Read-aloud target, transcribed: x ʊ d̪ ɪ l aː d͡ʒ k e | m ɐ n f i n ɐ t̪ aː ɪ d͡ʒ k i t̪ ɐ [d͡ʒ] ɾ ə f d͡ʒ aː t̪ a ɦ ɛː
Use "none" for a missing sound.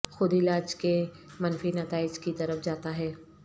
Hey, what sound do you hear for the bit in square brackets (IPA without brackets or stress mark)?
none